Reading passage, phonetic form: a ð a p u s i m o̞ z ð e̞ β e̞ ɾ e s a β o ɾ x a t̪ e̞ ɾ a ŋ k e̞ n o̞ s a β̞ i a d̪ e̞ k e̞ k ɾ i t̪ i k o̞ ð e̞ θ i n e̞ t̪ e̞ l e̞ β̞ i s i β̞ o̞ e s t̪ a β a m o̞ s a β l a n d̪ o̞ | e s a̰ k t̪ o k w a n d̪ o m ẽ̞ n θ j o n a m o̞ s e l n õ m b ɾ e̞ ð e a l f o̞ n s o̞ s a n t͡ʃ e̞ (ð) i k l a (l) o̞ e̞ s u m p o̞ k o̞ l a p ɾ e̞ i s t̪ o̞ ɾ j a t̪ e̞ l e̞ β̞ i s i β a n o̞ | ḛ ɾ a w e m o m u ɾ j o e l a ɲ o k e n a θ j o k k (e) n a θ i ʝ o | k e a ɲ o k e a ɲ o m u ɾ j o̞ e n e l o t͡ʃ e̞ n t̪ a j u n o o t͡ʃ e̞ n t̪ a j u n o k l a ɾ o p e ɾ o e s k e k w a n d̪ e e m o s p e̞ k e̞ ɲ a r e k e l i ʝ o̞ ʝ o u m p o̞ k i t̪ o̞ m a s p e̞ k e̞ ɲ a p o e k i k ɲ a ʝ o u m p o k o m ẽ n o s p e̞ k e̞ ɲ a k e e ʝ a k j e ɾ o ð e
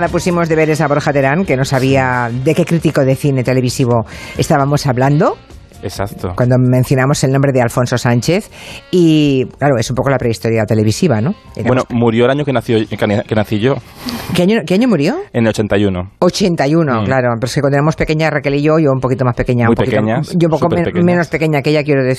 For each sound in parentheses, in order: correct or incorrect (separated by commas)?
incorrect, incorrect, correct